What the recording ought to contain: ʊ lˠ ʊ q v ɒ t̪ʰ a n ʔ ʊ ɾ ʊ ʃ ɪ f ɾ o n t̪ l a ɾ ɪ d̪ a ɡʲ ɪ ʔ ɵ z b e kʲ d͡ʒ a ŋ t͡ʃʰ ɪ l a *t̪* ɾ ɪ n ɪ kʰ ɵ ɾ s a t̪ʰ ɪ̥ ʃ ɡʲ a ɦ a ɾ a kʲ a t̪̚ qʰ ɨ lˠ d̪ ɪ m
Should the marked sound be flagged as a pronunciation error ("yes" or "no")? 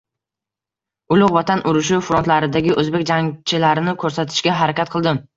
yes